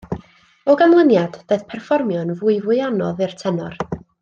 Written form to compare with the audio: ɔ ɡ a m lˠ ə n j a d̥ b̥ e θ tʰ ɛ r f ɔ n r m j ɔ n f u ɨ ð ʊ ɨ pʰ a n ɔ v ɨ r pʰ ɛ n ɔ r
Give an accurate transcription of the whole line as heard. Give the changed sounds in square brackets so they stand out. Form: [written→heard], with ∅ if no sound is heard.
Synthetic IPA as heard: ɔ ɡ a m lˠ ə n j a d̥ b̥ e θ [tʰ→pʰ] ɛ r f ɔ [n→∅] r m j ɔ n [f→v] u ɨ [ð→v] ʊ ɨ [pʰ→∅] a n ɔ [v→ð] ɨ r [pʰ→tʰ] ɛ n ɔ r

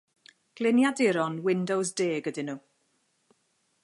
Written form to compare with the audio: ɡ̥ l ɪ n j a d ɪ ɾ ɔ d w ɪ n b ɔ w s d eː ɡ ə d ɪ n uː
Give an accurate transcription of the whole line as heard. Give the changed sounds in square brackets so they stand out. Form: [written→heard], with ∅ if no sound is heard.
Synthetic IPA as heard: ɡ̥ l ɪ n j a d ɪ ɾ ɔ [d→n] w ɪ n [b→d] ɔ w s d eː ɡ ə d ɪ n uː

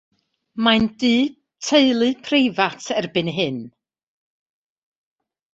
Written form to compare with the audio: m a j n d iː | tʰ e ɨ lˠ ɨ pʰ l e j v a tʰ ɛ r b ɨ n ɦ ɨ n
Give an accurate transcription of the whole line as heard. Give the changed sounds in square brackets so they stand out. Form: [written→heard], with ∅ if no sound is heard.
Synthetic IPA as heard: m a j n d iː | tʰ e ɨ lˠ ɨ pʰ [l→r] e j v a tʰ ɛ r b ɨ n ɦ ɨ n

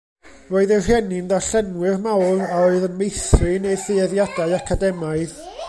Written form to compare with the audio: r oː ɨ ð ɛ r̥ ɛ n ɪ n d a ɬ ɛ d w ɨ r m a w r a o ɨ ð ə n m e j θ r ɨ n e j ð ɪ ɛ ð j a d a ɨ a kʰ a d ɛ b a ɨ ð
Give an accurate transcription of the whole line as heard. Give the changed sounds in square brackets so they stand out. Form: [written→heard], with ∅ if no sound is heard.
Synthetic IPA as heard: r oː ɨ ð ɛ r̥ ɛ n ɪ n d a ɬ ɛ [d→n] w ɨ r m a w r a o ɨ ð ə n m e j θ r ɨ n e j [ð→θ] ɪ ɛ ð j a d a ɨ a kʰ a d ɛ [b→m] a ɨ ð

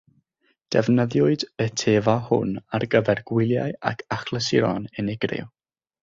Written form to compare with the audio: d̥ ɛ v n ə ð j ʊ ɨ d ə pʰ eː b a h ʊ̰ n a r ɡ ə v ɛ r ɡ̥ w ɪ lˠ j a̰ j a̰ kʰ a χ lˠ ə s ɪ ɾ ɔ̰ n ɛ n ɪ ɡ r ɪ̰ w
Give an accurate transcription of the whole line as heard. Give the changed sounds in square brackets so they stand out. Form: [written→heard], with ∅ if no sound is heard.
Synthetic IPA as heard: d̥ ɛ v n ə ð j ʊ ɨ d ə [pʰ→tʰ] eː [b→v] a h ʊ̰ n a r ɡ ə v ɛ r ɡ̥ w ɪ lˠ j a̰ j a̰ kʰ a χ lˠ ə s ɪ ɾ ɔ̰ n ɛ n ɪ ɡ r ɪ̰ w

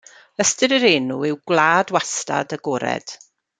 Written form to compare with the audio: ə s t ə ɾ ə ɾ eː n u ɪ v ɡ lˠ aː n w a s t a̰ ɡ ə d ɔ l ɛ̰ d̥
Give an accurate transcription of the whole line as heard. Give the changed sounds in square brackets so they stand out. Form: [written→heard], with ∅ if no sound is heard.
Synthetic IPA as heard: ə s t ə ɾ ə ɾ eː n u ɪ [v→w] ɡ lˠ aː [n→d] w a s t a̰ [ɡ→d] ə [d→ɡ] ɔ [l→ɾ] ɛ̰ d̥

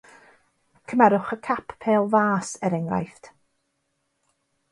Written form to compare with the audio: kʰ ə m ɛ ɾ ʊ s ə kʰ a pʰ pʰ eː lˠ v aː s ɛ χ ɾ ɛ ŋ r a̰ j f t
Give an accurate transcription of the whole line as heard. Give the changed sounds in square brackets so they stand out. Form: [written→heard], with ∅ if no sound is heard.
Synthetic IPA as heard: kʰ ə m ɛ ɾ ʊ [s→χ] ə kʰ a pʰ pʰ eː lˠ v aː s ɛ [χ→∅] ɾ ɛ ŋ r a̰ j f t

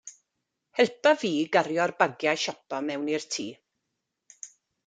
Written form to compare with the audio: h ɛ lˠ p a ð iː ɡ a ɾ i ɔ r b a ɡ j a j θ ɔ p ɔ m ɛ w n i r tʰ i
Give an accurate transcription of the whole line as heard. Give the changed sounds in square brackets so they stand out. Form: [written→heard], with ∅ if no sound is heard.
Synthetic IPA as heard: h ɛ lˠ p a [ð→v] iː ɡ a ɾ [i→j] ɔ r b a ɡ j a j [θ→ʃ] ɔ p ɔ m ɛ w n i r tʰ [i→iː]

